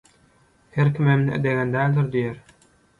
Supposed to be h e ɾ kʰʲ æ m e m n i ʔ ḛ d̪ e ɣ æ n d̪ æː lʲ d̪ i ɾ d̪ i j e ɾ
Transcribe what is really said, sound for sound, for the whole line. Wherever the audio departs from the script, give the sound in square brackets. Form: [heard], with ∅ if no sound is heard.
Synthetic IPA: h e ɾ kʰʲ [i] m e m n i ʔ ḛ d̪ e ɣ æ n d̪ æː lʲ d̪ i ɾ d̪ i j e ɾ